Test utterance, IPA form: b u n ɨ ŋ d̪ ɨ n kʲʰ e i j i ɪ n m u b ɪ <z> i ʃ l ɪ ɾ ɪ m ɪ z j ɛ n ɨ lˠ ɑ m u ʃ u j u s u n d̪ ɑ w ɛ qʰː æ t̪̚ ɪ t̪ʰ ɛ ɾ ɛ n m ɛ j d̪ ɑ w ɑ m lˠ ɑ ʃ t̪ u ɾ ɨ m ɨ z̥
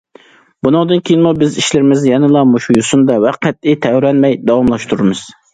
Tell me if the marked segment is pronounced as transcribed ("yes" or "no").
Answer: yes